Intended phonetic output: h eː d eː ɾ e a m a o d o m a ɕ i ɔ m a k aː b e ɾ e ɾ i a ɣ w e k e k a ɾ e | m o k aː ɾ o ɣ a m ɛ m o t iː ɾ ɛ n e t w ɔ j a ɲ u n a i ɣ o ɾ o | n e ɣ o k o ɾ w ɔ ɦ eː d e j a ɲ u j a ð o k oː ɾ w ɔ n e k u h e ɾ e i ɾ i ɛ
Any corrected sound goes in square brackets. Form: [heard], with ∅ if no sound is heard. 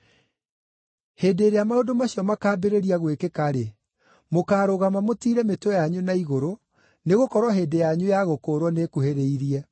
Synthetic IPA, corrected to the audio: h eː d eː ɾ e a m a o d o m a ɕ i ɔ m a k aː b e ɾ e ɾ i a ɣ w e k e k a ɾ e | m o k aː ɾ o ɣ a m [a] m o t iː ɾ ɛ [m] e t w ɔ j a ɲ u n a i ɣ o ɾ o | n e ɣ o k [ɔ] ɾ w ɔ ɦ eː d e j a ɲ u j a [ɣ] o k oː ɾ w ɔ n e k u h e ɾ e i ɾ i ɛ